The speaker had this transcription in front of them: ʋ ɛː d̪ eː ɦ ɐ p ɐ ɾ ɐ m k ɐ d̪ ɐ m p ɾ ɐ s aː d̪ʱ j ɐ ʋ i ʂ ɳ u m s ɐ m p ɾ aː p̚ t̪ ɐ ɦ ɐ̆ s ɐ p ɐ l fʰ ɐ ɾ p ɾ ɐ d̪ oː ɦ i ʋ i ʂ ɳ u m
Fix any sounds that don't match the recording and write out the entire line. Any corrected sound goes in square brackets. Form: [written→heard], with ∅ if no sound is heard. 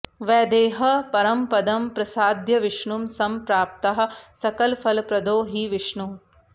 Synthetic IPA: ʋ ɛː d̪ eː ɦ ɐ p ɐ ɾ ɐ m [k→p] ɐ d̪ ɐ m p ɾ ɐ s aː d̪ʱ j ɐ ʋ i ʂ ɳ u m s ɐ m p ɾ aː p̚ t̪ ɐ ɦ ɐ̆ s ɐ [p→k] ɐ l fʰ ɐ [ɾ→l] p ɾ ɐ d̪ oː ɦ i ʋ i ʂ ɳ u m